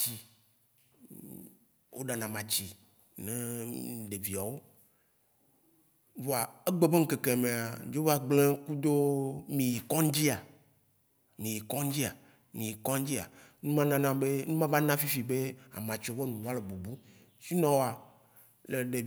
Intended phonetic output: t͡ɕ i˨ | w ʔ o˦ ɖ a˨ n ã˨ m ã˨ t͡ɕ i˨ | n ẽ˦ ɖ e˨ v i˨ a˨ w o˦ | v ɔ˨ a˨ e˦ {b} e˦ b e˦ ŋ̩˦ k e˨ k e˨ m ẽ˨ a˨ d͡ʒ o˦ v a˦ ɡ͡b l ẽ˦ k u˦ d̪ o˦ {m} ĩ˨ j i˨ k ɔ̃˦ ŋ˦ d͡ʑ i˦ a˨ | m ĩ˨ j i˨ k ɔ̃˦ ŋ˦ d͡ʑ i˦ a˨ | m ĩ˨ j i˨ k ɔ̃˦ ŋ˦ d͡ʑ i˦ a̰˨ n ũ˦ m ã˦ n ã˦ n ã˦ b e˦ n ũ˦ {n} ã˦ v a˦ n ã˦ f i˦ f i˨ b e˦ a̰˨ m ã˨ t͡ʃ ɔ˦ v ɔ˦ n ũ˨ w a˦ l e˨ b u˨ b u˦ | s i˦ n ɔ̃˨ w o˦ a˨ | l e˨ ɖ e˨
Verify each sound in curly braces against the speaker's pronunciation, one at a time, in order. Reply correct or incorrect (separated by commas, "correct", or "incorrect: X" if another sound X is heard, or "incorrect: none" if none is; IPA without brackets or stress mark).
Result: incorrect: ɡ͡b, correct, incorrect: m